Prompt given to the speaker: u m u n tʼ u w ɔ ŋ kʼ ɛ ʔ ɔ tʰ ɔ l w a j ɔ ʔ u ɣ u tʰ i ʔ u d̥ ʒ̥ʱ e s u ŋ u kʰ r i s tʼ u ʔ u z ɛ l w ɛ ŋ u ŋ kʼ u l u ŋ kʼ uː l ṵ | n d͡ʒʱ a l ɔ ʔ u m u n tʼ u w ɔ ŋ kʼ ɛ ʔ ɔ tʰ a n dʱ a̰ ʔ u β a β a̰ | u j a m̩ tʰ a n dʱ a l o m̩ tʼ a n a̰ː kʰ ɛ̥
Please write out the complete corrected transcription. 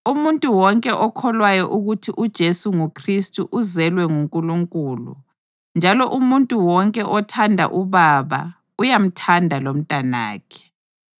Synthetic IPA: u m u n tʼ u w ɔ ŋ kʼ ɛ ʔ ɔ kʰ ɔ l w a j ɔ ʔ u ɣ u tʰ i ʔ u d̥ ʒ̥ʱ e s u ŋ u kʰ r i s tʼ u ʔ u z ɛ l w ɛ ŋ u ŋ kʼ u l u ŋ kʼ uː l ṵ | n d͡ʒʱ a l ɔ ʔ u m u n tʼ u w ɔ ŋ kʼ ɛ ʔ ɔ tʰ a n dʱ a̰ ʔ u β a β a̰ | u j a m̩ tʰ a n dʱ a l o m̩ tʼ a n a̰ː kʰ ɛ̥